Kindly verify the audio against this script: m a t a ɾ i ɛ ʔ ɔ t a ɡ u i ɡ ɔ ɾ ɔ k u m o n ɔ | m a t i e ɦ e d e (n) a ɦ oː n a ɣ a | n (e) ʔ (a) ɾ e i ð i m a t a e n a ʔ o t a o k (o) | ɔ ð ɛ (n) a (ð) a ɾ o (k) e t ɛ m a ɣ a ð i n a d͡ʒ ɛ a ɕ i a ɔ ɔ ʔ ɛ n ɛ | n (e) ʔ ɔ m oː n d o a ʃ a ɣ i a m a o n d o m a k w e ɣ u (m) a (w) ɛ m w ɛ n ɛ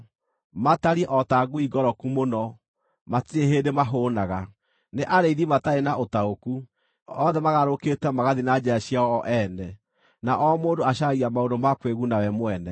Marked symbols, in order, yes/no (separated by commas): no, yes, yes, no, no, no, yes, no, no, yes